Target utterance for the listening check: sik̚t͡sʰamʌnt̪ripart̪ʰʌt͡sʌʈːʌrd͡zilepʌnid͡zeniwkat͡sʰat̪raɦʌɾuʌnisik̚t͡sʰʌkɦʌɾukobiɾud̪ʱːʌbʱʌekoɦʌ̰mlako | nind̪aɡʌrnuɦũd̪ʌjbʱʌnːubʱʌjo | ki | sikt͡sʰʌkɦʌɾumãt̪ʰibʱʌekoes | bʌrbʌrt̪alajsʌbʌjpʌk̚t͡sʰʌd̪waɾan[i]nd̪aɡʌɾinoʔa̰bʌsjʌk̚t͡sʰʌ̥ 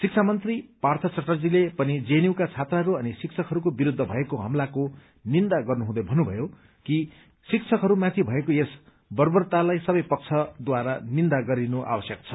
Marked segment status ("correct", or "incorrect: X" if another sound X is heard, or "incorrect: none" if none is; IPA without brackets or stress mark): correct